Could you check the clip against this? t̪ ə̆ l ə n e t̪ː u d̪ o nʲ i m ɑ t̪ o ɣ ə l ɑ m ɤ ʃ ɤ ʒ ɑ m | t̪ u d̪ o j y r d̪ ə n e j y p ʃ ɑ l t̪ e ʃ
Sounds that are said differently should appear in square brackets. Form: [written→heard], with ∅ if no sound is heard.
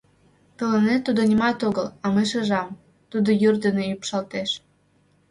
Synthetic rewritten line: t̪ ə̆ l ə n e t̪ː u d̪ o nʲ i m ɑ t̪ o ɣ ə l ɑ m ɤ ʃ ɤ ʒ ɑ m | t̪ u d̪ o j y r d̪ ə n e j y p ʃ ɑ l t̪ e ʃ